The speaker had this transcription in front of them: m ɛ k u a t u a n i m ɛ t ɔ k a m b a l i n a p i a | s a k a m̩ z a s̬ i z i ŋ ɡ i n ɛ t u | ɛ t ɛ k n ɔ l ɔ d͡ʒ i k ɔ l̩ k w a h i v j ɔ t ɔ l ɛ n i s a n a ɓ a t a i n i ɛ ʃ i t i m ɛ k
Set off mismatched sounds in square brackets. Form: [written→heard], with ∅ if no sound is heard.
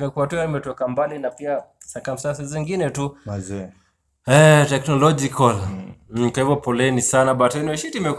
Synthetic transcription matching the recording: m ɛ k u a t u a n i m ɛ t ɔ k a m b a l i n a p i a | s a k a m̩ [z→s] a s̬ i z i ŋ ɡ i n ɛ t u | ɛ t ɛ k n ɔ l ɔ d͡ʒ i k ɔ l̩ k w a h i v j ɔ [t→p] ɔ l ɛ n i s a n a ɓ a t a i n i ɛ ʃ i t i m ɛ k